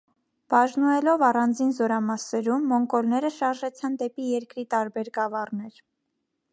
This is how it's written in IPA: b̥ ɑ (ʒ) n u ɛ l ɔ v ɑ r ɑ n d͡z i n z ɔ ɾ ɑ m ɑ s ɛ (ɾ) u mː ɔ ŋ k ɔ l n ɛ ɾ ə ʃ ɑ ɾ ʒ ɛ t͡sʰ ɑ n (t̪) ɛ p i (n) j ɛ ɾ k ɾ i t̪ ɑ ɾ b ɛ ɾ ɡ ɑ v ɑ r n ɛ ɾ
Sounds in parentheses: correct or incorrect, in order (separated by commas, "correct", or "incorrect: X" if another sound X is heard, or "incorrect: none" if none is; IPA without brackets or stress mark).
correct, correct, incorrect: d̪, incorrect: none